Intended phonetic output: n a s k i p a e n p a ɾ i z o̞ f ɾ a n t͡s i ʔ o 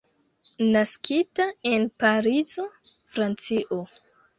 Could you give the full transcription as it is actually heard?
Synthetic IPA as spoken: n a s k i t a e n p a ɾ i z o̞ f ɾ a n t͡s i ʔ o

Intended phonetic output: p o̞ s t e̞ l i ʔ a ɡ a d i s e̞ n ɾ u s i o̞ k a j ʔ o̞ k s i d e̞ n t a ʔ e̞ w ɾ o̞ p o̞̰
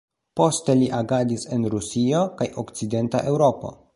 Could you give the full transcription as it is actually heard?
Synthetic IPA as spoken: p o̞ s t e̞ l i ʔ a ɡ a d i s e̞ n ɾ u s i o̞ k a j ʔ o̞ k t͡s i d e̞ n t a ʔ e̞ w ɾ o̞ p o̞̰

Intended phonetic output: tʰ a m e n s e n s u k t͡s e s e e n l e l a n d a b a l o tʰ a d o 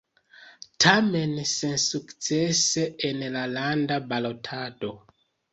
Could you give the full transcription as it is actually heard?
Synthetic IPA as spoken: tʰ a m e n s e n s u k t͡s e s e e n l a l a n d a b a l o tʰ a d o

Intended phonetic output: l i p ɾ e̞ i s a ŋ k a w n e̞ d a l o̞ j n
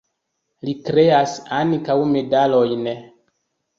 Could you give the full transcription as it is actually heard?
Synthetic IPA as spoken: l i k ɾ e̞ a s a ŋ k a w m e̞ d a l o̞ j n

